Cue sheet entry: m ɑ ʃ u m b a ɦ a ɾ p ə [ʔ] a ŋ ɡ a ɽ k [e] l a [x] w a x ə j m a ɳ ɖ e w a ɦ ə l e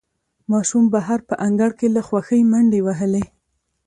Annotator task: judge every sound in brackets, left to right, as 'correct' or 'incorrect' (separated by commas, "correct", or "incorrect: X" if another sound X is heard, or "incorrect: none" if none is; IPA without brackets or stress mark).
correct, correct, correct